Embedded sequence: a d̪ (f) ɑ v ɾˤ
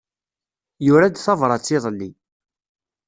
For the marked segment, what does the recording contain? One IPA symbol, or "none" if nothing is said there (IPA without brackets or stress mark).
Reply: θ